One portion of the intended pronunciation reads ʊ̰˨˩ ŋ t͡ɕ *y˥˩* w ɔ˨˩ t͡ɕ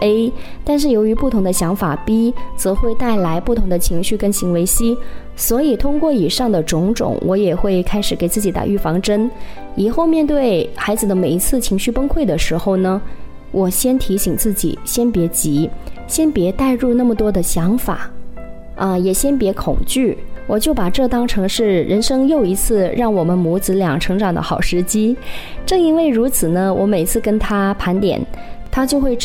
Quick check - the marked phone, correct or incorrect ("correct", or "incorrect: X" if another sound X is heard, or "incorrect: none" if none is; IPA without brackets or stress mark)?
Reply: correct